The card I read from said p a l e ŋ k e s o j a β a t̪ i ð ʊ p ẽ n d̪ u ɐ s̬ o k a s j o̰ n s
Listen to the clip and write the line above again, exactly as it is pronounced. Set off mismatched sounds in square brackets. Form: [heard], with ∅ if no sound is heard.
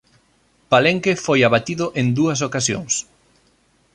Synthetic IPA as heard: p a l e ŋ k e [f] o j a β a t̪ i ð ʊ [ʔ] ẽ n d̪ u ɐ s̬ o k a s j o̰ [ŋ] s